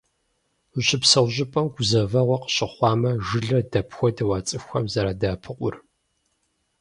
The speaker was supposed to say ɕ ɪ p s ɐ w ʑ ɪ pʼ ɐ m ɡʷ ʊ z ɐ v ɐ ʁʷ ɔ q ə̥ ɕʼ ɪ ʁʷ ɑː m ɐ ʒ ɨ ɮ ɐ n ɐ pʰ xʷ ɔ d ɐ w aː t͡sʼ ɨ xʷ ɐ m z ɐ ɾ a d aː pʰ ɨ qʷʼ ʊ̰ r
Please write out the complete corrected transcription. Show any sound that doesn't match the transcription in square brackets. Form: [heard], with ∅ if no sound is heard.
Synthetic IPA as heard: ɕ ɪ p s ɐ w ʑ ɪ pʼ ɐ m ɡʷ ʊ z ɐ v ɐ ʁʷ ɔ q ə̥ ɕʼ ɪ [χʷ] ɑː m ɐ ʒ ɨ ɮ ɐ [d] ɐ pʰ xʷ ɔ d ɐ w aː t͡sʼ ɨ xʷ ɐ m z ɐ ɾ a d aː pʰ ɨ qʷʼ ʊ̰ r